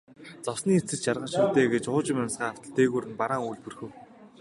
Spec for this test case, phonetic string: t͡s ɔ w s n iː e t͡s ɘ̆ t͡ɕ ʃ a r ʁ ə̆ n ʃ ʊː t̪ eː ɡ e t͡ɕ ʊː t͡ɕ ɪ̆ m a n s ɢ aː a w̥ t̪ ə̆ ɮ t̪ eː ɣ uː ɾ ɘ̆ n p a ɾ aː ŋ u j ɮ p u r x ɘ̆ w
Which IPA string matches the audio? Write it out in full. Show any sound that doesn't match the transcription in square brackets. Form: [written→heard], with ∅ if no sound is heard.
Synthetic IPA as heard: t͡s ɔ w s n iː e t͡s ɘ̆ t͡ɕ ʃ a r ʁ ə̆ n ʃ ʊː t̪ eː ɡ e t͡ɕ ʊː t͡ɕ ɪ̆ m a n s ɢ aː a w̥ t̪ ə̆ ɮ t̪ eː ɣ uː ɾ ɘ̆ n p a ɾ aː ŋ u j ɮ p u r x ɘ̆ w